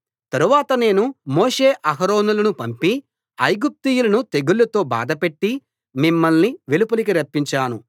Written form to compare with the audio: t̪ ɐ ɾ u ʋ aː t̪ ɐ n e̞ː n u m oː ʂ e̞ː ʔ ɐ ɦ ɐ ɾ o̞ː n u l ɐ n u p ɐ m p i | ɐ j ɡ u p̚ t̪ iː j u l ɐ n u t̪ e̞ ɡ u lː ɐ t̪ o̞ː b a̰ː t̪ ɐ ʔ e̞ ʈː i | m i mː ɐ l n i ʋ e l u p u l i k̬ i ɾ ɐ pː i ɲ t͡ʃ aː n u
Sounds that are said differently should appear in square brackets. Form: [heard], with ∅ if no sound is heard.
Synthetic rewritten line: t̪ ɐ ɾ u ʋ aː t̪ ɐ n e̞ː n u m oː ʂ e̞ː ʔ ɐ ɦ ɐ ɾ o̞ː n u l ɐ n u p ɐ m p i | ɐ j ɡ u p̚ t̪ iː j u l ɐ n u t̪ e̞ ɡ u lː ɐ t̪ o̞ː b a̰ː [d̪] ɐ [p] e̞ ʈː i | m i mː ɐ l n i ʋ e l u p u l i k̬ i ɾ ɐ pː i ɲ t͡ʃ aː n u